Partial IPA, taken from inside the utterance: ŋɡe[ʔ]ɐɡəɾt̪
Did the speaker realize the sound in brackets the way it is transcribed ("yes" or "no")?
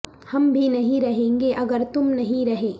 yes